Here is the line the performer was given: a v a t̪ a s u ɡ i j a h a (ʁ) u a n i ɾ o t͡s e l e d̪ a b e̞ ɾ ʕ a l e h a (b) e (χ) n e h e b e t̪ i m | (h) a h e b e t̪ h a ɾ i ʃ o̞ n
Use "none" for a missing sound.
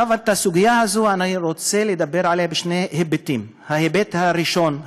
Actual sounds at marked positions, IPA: z, b, ʃ, h

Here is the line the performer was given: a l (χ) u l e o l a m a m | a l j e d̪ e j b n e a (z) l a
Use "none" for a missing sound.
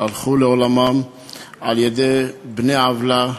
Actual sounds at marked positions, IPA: χ, v

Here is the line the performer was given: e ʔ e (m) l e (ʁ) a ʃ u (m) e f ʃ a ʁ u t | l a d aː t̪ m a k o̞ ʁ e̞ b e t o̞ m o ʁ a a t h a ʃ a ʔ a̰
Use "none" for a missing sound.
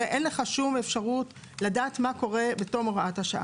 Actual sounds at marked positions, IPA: n, χ, m

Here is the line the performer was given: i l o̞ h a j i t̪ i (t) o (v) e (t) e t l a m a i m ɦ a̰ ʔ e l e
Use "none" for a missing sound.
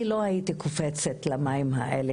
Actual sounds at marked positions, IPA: k, f, t͡s

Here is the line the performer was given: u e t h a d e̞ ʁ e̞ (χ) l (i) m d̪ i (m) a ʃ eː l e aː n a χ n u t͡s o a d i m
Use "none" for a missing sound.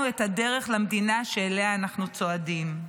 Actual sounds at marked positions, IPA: χ, a, n

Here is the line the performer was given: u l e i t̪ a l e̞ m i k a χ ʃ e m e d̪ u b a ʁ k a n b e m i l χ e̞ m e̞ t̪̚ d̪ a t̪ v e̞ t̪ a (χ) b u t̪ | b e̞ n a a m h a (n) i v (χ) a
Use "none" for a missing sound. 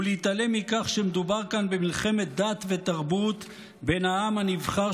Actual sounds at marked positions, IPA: ʁ, n, χ

